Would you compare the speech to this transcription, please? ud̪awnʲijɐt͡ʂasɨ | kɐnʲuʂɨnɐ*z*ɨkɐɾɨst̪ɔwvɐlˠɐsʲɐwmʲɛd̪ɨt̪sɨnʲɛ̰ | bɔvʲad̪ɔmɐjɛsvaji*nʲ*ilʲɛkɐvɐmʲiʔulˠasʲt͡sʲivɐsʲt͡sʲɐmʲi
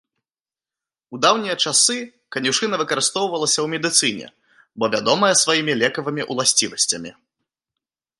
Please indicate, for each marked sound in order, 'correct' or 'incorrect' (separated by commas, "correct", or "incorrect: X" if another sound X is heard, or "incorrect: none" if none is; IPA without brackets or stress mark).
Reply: incorrect: v, incorrect: mʲ